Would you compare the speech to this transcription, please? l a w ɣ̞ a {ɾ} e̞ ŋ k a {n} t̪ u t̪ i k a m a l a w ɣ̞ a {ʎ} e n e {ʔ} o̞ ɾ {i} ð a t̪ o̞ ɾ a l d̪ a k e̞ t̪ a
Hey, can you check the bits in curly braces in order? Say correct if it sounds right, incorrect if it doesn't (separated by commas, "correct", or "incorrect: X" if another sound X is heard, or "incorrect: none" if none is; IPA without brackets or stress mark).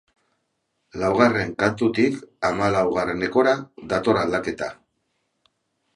incorrect: r, correct, incorrect: r, incorrect: k, incorrect: a